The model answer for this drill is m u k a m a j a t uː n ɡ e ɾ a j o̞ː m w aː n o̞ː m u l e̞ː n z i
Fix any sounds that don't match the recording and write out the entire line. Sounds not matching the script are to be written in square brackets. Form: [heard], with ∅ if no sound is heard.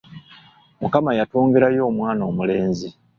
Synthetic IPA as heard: m u k a m a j a t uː [ŋ] ɡ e ɾ a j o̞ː m w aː n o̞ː m u l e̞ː n z i